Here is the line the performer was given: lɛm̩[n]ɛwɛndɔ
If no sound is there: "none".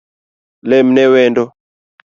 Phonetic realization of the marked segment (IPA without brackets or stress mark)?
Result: n